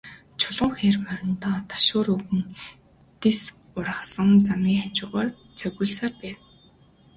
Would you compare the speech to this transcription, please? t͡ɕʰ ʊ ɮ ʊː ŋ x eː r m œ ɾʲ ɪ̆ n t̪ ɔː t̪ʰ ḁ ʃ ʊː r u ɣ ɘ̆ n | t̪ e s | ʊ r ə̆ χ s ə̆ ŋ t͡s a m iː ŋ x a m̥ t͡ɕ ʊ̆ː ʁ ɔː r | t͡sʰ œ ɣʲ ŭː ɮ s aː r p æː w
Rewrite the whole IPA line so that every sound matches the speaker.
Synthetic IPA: t͡ɕʰ ʊ ɮ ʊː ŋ x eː r m œ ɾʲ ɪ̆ n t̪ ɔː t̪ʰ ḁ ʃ ʊː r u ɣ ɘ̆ n | t̪ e s | ʊ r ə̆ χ s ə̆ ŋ t͡s a m iː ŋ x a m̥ t͡ɕ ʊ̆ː ʁ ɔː r | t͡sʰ œ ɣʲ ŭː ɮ s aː r p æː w